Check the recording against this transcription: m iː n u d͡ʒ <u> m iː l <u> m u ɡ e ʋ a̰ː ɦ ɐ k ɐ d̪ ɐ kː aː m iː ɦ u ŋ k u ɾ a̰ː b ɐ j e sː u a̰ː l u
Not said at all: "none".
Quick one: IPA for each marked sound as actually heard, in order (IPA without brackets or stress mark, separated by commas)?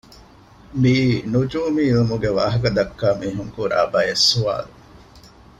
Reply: uː, u